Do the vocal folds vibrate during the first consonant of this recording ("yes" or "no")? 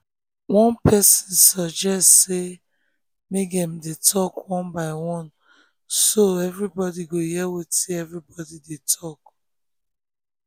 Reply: yes